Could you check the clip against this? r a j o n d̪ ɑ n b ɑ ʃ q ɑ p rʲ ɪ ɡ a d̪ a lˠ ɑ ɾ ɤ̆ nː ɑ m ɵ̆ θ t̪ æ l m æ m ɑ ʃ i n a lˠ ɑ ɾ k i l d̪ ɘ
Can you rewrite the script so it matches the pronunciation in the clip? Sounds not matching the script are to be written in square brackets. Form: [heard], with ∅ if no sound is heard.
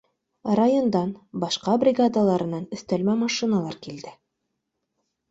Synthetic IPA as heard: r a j o n d̪ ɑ n b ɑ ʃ q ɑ [b] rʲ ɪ ɡ a d̪ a lˠ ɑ ɾ ɤ̆ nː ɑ [n] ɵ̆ θ t̪ æ l m æ m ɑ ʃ i n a lˠ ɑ ɾ k i l d̪ ɘ